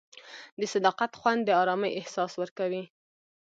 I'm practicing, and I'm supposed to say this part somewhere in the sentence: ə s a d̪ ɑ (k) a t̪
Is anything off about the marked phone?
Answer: yes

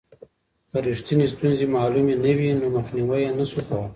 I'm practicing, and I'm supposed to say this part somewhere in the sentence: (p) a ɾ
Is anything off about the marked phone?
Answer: yes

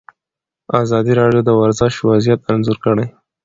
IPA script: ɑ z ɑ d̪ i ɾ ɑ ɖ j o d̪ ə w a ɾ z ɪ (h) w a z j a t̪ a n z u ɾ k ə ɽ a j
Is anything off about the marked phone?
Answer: yes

